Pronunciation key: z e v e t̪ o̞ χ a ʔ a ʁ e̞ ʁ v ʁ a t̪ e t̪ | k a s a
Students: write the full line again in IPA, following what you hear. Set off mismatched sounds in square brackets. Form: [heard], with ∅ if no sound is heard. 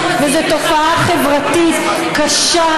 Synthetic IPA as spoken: [v] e [z] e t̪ o̞ [f] a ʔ a [χ] e̞ [∅] v ʁ a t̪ [i] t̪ | k a [ʃ] a